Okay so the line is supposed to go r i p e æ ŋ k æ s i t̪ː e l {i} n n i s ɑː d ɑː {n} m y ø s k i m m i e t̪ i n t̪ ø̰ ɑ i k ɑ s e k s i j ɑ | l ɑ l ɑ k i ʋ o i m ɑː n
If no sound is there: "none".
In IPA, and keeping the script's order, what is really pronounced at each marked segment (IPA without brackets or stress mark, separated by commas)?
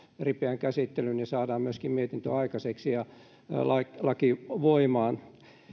y, m